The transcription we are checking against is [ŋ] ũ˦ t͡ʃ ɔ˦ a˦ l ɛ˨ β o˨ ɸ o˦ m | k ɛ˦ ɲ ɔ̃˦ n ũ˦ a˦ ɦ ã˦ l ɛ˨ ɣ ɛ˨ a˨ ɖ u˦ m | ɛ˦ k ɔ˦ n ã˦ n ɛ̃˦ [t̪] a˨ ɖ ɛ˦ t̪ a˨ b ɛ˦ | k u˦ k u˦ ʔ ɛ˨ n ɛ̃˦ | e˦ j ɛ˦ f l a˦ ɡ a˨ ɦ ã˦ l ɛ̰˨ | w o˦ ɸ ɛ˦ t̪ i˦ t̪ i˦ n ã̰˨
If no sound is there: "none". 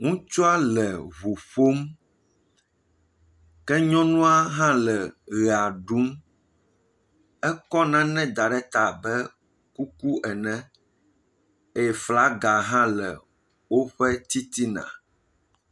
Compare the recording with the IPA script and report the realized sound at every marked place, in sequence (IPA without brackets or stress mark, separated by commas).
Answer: ŋ, d̪